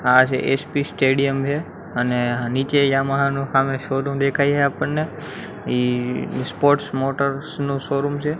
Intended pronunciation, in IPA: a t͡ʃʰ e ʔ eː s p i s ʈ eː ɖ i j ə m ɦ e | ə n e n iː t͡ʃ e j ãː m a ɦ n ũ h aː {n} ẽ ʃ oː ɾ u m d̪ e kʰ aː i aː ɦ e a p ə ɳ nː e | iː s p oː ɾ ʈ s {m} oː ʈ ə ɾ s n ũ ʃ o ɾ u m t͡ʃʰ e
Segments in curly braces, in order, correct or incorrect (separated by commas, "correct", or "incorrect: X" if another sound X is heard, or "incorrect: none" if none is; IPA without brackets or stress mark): incorrect: m, correct